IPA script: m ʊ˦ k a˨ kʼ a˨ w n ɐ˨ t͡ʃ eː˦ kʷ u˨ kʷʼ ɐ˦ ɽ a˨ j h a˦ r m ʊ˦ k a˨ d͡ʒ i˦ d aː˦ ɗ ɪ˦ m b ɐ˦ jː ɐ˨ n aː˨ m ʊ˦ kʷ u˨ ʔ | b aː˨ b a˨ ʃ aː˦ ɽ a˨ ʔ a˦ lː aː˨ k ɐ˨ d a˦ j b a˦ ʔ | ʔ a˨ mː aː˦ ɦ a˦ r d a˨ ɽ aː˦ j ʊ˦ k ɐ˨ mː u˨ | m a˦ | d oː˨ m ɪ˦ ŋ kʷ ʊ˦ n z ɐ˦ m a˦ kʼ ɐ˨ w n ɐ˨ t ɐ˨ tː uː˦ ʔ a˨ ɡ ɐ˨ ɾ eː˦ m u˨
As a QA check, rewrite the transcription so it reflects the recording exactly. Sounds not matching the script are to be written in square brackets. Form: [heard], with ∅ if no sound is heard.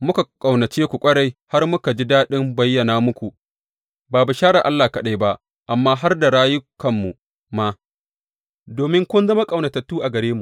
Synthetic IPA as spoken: m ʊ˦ k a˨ kʼ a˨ w n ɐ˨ t͡ʃ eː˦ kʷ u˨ kʷʼ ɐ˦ ɽ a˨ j h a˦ r m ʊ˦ k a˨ d͡ʒ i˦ d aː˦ ɗ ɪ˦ m b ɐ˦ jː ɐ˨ n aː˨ m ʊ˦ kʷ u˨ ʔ | b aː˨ b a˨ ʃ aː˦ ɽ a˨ ʔ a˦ lː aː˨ k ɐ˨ [ɗ] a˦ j b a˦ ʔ | ʔ a˨ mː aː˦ ɦ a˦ r d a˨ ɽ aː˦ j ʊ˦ k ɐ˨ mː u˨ | m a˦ | d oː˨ m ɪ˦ ŋ kʷ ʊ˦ n z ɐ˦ m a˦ kʼ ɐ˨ w n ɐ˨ t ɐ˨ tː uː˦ ʔ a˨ ɡ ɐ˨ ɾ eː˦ m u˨